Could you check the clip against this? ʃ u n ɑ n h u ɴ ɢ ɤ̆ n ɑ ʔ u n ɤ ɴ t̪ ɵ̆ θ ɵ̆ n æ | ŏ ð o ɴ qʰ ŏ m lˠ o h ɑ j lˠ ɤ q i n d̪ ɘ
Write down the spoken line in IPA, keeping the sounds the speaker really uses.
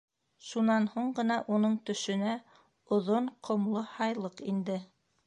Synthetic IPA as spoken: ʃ u n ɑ n h u ɴ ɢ ɤ̆ n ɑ ʔ u n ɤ ɴ t̪ ɵ̆ ʃ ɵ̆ n æ | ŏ ð o ɴ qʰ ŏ m lˠ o h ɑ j lˠ ɤ q i n d̪ ɘ